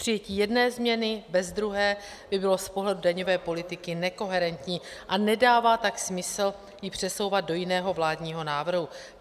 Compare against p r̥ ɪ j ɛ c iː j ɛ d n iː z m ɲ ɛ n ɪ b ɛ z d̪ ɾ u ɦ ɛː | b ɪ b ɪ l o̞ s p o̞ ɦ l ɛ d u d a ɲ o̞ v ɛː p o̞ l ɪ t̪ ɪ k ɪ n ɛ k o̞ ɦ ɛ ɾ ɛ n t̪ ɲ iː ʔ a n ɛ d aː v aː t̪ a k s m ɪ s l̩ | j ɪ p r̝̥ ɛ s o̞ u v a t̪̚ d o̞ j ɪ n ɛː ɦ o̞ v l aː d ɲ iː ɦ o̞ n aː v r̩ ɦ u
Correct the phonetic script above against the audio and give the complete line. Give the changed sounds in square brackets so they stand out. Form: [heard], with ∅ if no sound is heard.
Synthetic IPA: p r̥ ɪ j ɛ c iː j ɛ d n [ɛː] z m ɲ ɛ n ɪ b ɛ z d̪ ɾ u ɦ ɛː | b ɪ b ɪ l o̞ s p o̞ ɦ l ɛ d u d a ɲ o̞ v ɛː p o̞ l ɪ t̪ ɪ k ɪ n ɛ k o̞ ɦ ɛ ɾ ɛ n t̪ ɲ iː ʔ a n ɛ d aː v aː t̪ a k s m ɪ s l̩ | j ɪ p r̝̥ ɛ s o̞ [w] v a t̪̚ d o̞ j ɪ n ɛː ɦ o̞ v l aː d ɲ iː ɦ o̞ n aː v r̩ ɦ u